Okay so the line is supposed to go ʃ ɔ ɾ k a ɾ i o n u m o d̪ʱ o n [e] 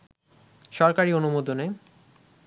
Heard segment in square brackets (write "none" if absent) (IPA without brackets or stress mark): e